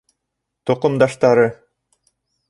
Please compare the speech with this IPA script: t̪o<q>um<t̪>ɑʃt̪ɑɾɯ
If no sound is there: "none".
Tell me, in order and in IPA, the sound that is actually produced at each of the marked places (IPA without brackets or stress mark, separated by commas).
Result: q, d̪